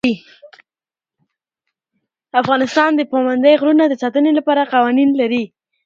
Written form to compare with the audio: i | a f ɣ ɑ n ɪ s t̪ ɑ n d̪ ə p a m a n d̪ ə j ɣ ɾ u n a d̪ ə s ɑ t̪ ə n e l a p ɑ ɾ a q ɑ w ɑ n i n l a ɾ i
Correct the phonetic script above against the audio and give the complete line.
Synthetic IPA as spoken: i | a f ɣ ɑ n ɪ s t̪ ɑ n d̪ ə p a m a n d̪ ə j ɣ ɾ u n a d̪ ə s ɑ t̪ ə n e l a p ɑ ɾ a q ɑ w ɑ n i n l a ɾ i